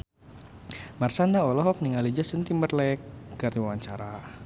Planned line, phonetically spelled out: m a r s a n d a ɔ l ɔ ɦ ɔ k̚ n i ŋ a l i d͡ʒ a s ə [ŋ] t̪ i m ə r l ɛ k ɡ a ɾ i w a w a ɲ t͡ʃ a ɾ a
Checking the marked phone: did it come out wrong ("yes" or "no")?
yes